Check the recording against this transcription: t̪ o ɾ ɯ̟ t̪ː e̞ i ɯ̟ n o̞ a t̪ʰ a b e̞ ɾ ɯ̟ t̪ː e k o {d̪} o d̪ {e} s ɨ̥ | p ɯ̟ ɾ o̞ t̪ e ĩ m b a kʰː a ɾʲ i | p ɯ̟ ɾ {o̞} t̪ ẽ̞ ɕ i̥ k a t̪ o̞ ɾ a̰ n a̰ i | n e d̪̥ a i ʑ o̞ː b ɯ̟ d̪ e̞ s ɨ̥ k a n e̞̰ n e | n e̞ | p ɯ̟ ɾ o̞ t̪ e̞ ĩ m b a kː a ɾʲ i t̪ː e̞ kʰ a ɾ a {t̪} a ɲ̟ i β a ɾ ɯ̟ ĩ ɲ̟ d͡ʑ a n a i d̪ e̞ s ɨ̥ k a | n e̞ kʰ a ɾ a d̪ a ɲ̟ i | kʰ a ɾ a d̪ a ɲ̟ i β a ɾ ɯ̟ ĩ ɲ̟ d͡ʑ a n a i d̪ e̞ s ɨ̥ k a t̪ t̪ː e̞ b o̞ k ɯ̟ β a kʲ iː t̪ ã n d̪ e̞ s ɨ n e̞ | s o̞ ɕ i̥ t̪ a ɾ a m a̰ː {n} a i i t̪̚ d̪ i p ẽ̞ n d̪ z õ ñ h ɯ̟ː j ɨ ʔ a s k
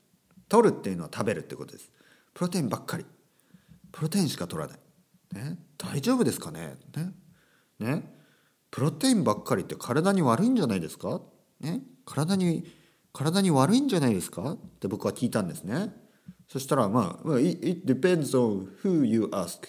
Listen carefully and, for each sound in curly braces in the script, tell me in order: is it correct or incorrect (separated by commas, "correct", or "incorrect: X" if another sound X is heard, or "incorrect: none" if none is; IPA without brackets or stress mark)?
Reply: incorrect: t̪, correct, correct, incorrect: d̪, incorrect: m